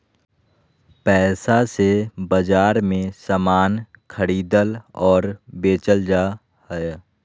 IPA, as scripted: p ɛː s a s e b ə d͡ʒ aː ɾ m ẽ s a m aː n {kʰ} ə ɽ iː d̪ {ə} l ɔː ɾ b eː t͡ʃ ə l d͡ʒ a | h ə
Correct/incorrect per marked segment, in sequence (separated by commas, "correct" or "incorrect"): correct, correct